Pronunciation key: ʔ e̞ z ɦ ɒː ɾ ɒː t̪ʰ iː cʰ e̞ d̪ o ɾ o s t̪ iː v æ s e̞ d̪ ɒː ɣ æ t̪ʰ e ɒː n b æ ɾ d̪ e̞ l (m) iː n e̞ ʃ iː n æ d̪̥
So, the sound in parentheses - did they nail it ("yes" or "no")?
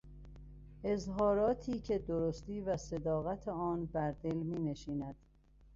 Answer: yes